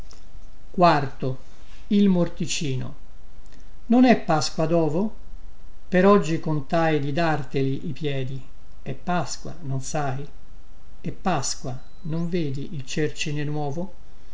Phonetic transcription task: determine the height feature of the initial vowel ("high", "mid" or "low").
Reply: low